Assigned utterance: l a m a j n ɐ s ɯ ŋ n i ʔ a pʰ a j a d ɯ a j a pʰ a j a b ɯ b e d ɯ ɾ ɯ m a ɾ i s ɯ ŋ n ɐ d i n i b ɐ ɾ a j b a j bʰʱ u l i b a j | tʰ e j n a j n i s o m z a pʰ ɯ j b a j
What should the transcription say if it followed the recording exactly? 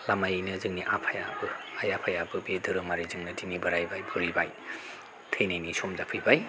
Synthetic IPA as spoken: l a m a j n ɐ z ɯ ŋ n i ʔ a pʰ a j a b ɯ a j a pʰ a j a b ɯ b e d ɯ ɾ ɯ m a ɾ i z ɯ ŋ n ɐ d i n i b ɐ ɾ a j b a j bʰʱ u ɾ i b a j | tʰ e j n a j n i s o m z a pʰ ɯ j b a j